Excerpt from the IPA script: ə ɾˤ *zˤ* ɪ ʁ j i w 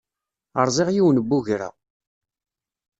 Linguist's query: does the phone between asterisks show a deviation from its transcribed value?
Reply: no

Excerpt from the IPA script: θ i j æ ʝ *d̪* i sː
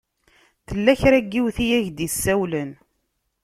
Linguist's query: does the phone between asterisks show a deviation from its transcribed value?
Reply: no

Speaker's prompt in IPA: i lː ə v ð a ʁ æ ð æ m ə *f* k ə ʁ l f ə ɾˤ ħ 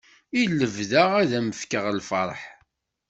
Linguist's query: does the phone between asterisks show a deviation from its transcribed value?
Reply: no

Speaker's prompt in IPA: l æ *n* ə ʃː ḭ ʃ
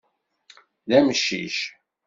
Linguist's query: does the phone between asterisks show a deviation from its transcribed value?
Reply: yes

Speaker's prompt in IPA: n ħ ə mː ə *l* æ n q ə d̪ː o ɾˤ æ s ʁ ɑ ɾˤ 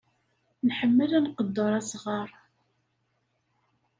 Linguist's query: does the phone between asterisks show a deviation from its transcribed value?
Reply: no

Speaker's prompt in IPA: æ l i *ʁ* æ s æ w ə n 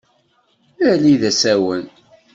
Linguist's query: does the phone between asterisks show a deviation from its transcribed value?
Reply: yes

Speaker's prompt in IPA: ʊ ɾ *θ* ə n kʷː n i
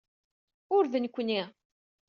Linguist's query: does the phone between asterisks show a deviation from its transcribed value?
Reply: yes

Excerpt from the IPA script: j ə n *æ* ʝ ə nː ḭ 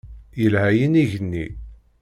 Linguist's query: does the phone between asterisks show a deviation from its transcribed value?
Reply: yes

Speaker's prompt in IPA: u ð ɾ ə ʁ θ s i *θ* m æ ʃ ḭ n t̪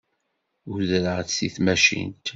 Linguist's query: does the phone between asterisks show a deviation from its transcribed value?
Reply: no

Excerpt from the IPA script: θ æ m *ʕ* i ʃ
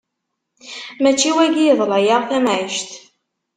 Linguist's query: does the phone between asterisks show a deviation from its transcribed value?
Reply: no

